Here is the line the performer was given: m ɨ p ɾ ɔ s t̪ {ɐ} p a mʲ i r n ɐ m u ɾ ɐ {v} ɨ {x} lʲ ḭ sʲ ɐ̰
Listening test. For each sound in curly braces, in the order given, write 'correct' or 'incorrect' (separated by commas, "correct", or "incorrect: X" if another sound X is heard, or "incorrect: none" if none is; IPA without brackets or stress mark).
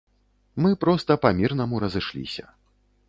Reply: correct, incorrect: z, incorrect: ʂ